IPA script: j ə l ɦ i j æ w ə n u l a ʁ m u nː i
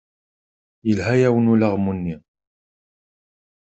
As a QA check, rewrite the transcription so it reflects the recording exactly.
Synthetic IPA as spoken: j ə l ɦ æ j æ w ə n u l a ʁ m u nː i